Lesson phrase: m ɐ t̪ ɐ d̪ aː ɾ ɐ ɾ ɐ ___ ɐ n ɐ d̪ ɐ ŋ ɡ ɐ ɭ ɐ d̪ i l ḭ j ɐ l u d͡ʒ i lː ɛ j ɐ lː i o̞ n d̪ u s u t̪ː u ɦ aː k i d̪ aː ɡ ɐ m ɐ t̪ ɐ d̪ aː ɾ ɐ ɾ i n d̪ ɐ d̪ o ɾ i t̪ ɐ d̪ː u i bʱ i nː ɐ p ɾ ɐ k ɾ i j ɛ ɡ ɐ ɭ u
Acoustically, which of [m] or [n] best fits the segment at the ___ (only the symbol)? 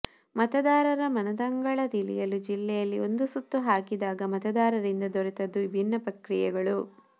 m